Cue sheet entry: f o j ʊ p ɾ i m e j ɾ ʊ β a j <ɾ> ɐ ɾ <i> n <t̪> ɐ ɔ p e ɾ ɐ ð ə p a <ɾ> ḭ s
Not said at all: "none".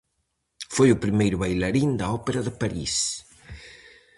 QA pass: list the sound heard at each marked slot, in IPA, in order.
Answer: l, i, d̪, ɾ

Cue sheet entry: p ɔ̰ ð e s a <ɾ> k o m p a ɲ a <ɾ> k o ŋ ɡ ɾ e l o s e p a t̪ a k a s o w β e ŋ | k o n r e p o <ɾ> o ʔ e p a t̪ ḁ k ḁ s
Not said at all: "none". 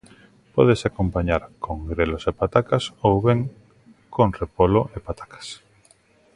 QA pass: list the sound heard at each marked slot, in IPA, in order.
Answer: none, ɾ, l

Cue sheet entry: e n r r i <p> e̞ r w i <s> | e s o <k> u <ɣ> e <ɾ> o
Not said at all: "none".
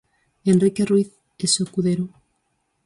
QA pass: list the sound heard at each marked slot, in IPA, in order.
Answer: k, θ, k, ð, ɾ

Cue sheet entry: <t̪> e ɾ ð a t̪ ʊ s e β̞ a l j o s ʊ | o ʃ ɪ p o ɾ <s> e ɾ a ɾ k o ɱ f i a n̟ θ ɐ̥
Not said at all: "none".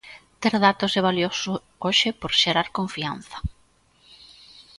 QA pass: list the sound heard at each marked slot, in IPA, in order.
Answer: t̪, ʃ

